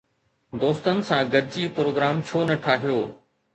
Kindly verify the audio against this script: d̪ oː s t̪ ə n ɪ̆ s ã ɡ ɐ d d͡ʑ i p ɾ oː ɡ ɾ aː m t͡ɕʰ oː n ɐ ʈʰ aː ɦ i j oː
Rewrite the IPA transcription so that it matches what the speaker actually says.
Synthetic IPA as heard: d̪ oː s t̪ ə n ɪ̆ s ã ɡ ɐ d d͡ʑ i p ɾ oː ɡ ɾ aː m t͡ɕʰ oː n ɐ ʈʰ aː ɦ i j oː